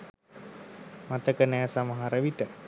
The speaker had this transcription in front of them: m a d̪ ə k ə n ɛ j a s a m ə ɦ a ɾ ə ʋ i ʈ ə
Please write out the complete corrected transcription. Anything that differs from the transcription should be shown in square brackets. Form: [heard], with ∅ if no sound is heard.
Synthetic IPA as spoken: m a [t̪] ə k ə n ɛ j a s a m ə ɦ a ɾ ə ʋ i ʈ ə